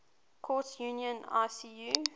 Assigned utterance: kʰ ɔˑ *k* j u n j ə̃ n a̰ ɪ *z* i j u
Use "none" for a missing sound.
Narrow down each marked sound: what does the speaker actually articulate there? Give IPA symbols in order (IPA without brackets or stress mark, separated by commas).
t, s